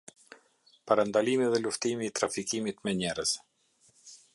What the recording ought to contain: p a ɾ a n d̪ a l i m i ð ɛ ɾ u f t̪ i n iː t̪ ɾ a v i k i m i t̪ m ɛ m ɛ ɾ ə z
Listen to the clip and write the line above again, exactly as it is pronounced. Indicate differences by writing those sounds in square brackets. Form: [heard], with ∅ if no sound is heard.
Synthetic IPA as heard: p a ɾ a n d̪ a l i m i ð ɛ [l] u f t̪ i [m] iː t̪ ɾ a [f] i k i m i t̪ m ɛ [ɲ] ɛ ɾ ə z

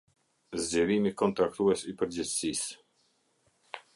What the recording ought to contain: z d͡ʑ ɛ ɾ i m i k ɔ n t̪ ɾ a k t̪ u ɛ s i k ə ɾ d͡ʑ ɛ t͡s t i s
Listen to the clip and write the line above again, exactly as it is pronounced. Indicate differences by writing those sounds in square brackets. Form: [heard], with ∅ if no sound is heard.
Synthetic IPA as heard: z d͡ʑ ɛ ɾ i m i k ɔ n t̪ ɾ a k t̪ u ɛ s i [p] ə ɾ d͡ʑ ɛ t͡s [s] i s

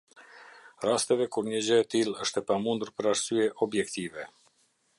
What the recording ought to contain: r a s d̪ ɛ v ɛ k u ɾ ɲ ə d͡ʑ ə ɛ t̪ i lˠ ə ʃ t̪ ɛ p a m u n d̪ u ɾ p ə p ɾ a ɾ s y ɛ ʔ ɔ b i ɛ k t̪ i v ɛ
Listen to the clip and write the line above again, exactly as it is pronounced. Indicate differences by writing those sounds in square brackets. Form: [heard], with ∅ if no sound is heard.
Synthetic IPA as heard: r a s [t̪] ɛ v ɛ k u ɾ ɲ ə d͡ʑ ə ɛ t̪ i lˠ ə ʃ t̪ ɛ p a m u n d̪ u ɾ p ə [∅] ɾ a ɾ s y ɛ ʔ ɔ b [j] ɛ k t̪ i v ɛ

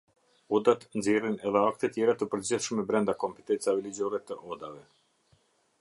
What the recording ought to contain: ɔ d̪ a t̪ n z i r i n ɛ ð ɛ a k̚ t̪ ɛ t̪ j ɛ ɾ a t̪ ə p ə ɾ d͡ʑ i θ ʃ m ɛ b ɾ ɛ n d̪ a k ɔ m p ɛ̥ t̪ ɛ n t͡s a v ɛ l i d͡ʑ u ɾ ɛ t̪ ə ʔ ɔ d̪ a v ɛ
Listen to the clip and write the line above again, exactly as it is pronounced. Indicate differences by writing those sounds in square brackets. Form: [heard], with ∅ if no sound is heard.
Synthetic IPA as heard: ɔ d̪ a t̪ n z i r i n ɛ ð ɛ a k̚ t̪ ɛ t̪ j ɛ ɾ a t̪ ə p ə ɾ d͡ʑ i θ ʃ m ɛ b ɾ ɛ n d̪ a k ɔ m p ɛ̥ t̪ ɛ n t͡s a v ɛ l i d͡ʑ [ɔ] ɾ ɛ t̪ ə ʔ ɔ d̪ a v ɛ

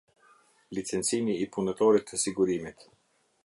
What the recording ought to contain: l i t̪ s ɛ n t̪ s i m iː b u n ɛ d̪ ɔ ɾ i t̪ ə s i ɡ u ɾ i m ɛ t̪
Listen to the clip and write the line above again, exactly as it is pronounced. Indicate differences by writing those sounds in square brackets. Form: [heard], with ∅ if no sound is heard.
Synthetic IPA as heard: l i t̪ s ɛ n t̪ s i [n] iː [p] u n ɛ [t̪] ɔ ɾ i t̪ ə s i ɡ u ɾ i m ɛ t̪

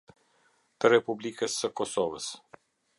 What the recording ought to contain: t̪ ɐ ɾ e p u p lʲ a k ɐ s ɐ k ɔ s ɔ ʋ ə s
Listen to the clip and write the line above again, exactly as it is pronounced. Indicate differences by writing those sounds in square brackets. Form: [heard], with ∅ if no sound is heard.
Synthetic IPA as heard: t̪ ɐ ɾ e p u [b] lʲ [i] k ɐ s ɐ k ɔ s ɔ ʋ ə s

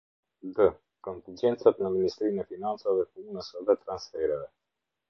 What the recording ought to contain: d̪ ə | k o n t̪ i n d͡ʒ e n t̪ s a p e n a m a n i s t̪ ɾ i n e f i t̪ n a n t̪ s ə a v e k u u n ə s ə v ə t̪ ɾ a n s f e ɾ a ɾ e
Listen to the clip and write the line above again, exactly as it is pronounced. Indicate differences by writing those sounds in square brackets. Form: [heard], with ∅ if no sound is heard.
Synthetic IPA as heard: d̪ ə | k o n t̪ i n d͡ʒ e n t̪ s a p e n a m [i] n i s t̪ ɾ i n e f i [∅] n a n t̪ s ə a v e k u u n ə s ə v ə t̪ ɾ a n s f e ɾ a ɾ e

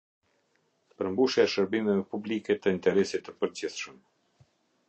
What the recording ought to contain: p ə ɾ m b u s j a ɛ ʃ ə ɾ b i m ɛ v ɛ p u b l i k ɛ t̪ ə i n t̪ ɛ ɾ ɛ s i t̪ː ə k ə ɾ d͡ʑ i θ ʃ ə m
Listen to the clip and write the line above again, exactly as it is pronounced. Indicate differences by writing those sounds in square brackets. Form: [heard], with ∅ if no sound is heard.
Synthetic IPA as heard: p ə ɾ m b u [ʃ] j a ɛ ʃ ə ɾ b i m ɛ v ɛ p u b l i k ɛ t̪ ə i n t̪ ɛ ɾ ɛ s i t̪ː ə [p] ə ɾ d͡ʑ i θ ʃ ə m

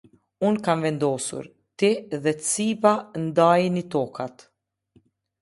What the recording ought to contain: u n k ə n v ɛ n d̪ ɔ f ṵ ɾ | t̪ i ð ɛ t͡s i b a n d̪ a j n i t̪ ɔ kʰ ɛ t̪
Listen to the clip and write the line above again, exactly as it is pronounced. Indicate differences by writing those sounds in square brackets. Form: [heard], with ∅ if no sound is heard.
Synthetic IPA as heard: u n k [a] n v ɛ n d̪ ɔ [s] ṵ ɾ | t̪ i ð ɛ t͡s i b a n d̪ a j n i t̪ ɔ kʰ [a] t̪

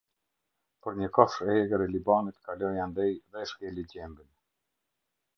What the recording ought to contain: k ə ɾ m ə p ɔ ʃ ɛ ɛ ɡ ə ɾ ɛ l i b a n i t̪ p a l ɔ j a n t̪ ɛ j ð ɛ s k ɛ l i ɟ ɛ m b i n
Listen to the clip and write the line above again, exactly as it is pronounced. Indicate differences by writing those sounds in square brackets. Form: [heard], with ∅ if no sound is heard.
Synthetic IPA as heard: [p] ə ɾ [ɲ] ə [k] ɔ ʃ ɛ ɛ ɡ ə ɾ ɛ l i b a n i t̪ [k] a l ɔ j a n [d̪] ɛ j ð ɛ [ʃ] k ɛ l i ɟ ɛ m b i n

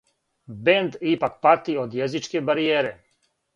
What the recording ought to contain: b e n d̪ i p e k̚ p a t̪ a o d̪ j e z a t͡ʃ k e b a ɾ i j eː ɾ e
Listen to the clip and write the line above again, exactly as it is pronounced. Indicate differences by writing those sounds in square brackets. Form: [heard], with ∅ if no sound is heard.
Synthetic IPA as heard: b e n d̪ i p [a] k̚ p a t̪ [i] o d̪ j e z [i] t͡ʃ k e b a ɾ i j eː ɾ e

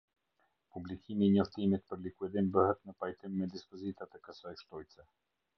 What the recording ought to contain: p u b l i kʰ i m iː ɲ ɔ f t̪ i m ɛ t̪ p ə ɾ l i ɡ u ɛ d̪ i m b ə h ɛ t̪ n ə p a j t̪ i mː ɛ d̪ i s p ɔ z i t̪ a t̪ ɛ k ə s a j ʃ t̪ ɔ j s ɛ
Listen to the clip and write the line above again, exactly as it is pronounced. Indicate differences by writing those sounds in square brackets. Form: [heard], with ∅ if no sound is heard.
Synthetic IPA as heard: p u b l i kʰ i m iː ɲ ɔ f t̪ i m [i] t̪ p ə ɾ l i [k] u ɛ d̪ i m b ə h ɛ t̪ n ə p a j t̪ i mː ɛ d̪ i s p ɔ z i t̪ a t̪ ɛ k ə s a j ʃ t̪ ɔ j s ɛ

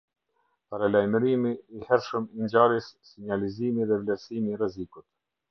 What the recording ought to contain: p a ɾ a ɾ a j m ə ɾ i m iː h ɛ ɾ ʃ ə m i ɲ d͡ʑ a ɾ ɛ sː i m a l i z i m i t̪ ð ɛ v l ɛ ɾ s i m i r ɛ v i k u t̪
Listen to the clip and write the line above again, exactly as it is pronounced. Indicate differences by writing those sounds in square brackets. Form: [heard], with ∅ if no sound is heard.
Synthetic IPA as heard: p a ɾ a [l] a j m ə ɾ i m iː h ɛ ɾ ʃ ə m i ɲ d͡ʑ a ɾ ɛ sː i [ɲ] a l i z i m i [∅] ð ɛ v l ɛ ɾ s i m i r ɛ [z] i k u t̪

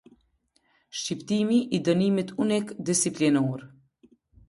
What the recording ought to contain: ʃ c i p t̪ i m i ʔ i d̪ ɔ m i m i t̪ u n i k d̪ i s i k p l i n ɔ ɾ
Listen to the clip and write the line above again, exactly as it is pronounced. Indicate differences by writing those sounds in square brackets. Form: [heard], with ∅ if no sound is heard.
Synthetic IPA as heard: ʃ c i p t̪ i m i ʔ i d̪ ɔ [n] i m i t̪ u n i k d̪ i s i [∅] p l i n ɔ ɾ

